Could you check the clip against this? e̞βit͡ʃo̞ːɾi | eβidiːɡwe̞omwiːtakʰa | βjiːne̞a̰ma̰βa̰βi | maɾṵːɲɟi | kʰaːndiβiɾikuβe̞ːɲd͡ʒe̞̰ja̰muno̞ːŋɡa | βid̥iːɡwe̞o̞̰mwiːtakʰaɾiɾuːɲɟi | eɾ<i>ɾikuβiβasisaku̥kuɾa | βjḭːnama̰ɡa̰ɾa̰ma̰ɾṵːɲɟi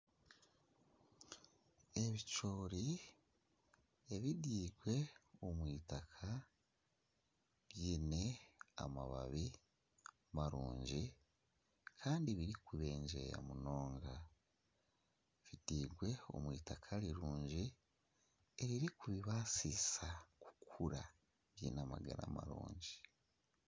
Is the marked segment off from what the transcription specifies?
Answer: no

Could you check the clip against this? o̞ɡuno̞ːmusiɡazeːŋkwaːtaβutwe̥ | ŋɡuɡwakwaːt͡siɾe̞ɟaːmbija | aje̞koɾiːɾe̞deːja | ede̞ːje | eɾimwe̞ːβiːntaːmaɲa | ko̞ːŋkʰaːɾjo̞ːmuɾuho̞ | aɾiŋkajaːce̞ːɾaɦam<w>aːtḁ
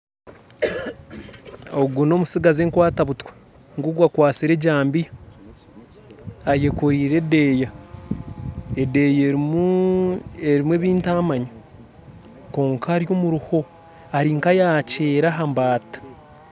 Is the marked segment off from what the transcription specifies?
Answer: yes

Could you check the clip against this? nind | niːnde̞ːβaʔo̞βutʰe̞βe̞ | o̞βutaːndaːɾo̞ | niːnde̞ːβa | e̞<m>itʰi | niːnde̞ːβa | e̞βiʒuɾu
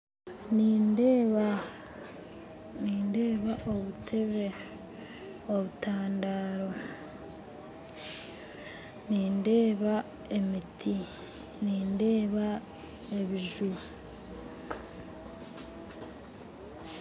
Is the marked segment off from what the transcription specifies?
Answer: no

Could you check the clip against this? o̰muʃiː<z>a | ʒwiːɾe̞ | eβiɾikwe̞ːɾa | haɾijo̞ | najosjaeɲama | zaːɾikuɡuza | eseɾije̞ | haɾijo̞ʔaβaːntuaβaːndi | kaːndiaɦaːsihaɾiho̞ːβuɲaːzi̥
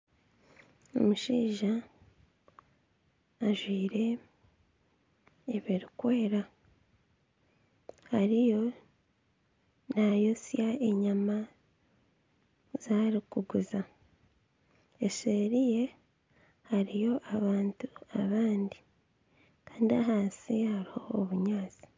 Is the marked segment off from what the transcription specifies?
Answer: yes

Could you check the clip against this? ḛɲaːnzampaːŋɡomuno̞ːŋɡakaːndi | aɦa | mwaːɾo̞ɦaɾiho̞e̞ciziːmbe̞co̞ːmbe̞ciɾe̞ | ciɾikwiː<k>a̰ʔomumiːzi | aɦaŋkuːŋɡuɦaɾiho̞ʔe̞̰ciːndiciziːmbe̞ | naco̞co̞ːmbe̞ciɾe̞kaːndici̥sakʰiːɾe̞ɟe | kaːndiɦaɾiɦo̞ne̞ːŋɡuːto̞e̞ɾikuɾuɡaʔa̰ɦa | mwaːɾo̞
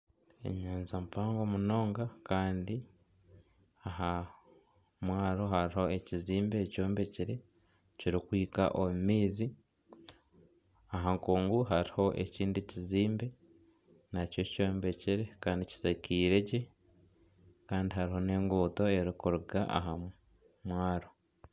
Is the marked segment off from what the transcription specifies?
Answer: no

